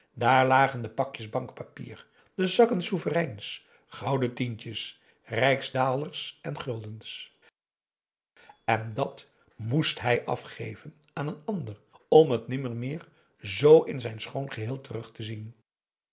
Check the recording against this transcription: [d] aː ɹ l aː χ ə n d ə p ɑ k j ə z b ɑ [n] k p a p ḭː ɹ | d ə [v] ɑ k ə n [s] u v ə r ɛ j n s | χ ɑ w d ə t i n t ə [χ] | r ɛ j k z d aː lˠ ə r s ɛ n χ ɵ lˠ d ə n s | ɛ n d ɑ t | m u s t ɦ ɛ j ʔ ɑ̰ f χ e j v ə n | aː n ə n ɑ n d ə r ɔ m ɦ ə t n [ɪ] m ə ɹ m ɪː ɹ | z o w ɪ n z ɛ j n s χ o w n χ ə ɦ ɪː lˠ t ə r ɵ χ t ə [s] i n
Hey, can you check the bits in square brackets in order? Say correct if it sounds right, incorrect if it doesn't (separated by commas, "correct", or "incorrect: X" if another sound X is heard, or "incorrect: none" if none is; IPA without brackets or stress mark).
correct, incorrect: ŋ, incorrect: z, correct, incorrect: s, correct, incorrect: z